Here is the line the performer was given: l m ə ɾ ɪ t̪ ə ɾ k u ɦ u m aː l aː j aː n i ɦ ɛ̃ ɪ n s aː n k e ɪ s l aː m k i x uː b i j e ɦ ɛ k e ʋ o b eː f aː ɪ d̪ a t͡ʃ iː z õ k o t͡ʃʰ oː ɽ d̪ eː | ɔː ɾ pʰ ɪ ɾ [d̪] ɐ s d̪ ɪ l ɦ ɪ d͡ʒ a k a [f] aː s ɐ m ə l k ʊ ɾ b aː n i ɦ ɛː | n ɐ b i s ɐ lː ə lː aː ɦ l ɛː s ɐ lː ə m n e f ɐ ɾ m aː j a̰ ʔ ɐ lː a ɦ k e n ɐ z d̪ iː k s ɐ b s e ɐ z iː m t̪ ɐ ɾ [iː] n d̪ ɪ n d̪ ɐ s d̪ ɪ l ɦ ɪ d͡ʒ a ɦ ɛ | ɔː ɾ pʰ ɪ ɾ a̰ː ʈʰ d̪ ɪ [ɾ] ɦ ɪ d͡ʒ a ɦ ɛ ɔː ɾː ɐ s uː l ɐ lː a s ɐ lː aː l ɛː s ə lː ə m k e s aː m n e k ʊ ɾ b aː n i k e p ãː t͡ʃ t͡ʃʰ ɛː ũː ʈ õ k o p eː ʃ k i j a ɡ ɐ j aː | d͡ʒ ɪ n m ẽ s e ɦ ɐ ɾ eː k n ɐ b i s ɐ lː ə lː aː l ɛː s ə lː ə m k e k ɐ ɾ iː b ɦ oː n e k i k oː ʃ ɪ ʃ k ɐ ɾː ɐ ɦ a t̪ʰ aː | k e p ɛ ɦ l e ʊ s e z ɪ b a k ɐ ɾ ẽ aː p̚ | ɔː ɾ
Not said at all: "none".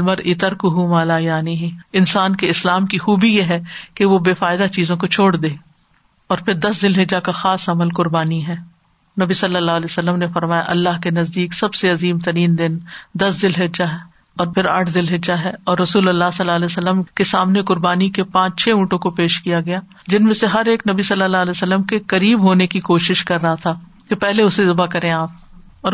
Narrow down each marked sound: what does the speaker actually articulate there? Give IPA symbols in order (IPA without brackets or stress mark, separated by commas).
d̪, x, iː, l